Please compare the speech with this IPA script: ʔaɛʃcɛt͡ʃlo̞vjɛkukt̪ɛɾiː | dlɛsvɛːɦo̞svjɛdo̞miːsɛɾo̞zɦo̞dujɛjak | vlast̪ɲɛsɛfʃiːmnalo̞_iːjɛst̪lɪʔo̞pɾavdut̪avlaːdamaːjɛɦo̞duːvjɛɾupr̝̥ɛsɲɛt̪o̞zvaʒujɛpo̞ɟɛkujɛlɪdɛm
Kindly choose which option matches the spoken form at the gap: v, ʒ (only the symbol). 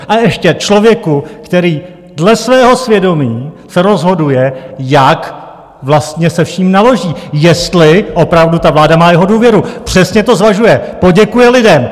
ʒ